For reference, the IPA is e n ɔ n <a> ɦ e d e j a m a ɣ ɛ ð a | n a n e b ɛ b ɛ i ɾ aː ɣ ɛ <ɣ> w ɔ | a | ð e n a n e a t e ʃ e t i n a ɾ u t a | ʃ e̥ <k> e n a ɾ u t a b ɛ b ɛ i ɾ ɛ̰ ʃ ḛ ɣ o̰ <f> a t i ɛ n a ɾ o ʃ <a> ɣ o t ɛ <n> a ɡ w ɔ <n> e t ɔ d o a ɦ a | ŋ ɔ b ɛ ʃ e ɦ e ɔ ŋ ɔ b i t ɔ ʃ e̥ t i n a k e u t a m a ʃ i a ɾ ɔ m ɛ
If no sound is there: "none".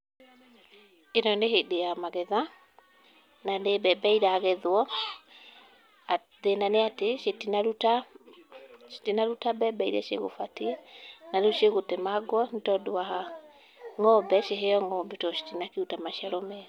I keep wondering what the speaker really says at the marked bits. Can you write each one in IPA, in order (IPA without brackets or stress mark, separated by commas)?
e, ð, t, f, e, m, n